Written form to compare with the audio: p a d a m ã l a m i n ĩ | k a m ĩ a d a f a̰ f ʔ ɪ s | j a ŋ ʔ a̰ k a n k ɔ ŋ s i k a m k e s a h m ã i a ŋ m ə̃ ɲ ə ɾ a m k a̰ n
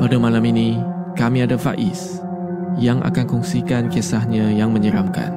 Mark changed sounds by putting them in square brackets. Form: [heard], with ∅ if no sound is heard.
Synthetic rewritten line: p a d a m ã l a m i n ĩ | k a m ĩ a d a f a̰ [∅] ʔ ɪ s | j a ŋ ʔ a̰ k a n k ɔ ŋ s i k a [n] k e s a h [ɲ] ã [j] a ŋ m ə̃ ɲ ə ɾ a m k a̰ n